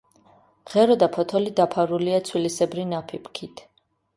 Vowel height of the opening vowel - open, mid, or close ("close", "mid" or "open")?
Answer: mid